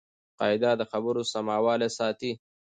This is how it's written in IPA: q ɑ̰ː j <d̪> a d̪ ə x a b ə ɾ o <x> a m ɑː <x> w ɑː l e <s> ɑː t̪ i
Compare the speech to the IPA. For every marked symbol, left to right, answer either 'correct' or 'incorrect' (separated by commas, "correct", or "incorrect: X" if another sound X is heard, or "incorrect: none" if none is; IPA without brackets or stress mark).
correct, incorrect: s, incorrect: none, correct